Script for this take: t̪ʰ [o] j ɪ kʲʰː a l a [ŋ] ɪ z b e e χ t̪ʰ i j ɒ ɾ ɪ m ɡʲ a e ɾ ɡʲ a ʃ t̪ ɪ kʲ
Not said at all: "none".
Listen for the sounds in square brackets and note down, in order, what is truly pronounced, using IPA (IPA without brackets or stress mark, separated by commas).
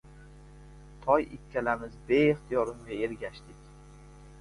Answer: ɒ, m